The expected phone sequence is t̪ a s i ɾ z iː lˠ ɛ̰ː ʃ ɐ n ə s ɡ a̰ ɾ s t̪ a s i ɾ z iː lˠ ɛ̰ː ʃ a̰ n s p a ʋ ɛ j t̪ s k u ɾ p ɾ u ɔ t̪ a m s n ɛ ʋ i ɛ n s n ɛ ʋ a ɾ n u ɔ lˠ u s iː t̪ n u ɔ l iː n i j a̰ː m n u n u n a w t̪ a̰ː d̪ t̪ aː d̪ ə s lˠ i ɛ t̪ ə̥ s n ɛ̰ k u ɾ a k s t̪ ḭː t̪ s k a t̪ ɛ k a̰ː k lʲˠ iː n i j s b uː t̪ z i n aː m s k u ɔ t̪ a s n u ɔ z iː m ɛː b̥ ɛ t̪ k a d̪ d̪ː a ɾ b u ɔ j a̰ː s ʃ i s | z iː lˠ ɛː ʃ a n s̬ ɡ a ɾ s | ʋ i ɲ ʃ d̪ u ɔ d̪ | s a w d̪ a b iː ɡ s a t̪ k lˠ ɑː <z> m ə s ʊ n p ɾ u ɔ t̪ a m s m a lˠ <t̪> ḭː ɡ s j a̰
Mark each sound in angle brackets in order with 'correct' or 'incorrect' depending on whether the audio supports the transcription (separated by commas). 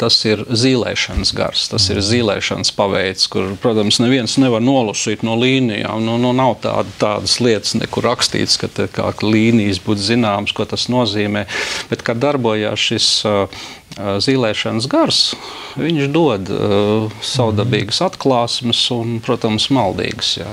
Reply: incorrect, incorrect